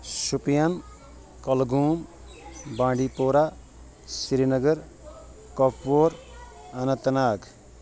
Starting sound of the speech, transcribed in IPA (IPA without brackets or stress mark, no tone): s